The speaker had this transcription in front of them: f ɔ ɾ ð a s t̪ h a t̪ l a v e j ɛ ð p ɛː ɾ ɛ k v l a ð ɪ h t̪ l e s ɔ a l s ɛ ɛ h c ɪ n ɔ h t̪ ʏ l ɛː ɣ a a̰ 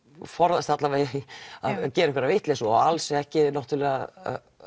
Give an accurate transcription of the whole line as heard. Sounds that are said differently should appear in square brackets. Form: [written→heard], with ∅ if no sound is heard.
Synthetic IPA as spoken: f ɔ ɾ ð a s t̪ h a t̪ l a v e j [ɛ→a] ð [p→c] ɛː ɾ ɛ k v [l→ɾ] a [ð→v] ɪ h t̪ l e s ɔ a l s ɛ ɛ h c ɪ n ɔ h t̪ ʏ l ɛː ɣ a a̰